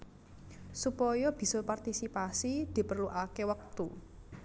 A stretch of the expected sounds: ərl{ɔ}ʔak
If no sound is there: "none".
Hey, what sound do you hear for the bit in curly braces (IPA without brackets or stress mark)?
u